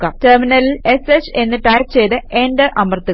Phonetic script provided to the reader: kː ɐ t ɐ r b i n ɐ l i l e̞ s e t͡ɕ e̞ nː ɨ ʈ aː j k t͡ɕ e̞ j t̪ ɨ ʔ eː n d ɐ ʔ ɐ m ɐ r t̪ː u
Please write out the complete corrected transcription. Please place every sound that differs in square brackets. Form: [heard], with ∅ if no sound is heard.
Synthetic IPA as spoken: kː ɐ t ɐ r [m] i n ɐ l i l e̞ s e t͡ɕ e̞ nː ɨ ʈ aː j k t͡ɕ e̞ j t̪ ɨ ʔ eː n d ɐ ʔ ɐ m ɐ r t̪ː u